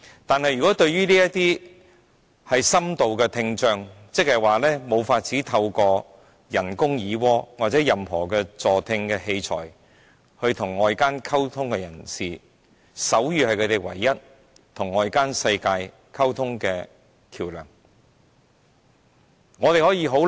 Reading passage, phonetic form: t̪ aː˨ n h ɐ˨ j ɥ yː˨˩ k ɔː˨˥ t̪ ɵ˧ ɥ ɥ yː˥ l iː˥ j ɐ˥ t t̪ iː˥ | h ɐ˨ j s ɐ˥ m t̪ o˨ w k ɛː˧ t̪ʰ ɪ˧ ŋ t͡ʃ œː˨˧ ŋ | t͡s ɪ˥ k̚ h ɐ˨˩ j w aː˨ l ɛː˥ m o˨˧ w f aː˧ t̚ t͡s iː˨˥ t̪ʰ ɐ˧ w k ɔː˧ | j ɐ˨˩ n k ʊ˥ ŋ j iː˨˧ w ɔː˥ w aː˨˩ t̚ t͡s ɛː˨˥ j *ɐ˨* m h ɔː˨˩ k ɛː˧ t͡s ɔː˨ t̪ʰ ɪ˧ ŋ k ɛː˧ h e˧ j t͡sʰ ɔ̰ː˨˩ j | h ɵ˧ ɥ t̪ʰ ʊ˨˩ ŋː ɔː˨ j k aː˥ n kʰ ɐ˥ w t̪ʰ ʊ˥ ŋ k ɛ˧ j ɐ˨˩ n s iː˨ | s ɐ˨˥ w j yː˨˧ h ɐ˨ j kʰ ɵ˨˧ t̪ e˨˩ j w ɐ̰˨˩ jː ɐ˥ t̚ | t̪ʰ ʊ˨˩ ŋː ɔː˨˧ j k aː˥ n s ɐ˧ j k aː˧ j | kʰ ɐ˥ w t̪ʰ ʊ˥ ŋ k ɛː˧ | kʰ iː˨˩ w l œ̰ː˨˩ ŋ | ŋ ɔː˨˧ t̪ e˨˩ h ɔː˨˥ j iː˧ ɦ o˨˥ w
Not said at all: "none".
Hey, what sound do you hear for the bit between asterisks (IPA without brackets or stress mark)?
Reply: ɐ˨